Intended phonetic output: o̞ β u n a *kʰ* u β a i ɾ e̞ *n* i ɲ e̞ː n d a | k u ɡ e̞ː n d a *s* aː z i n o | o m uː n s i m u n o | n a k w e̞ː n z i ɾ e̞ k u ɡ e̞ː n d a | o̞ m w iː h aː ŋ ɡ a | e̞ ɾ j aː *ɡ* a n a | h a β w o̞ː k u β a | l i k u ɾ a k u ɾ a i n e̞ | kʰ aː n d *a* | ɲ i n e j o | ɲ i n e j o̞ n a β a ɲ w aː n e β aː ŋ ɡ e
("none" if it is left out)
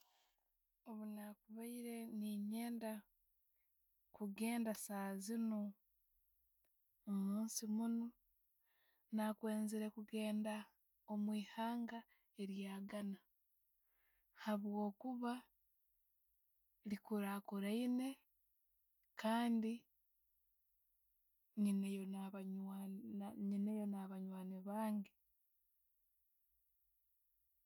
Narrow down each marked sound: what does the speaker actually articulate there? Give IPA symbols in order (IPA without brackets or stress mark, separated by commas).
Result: k, n, s, ɡ, i